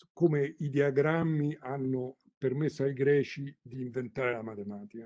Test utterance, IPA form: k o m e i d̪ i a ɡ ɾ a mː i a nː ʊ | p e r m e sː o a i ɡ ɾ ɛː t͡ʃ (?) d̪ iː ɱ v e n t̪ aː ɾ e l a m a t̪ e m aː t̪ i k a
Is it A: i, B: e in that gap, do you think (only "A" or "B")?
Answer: A